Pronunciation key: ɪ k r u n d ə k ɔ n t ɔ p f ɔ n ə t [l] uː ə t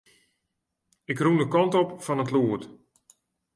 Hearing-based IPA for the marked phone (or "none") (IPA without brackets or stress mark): l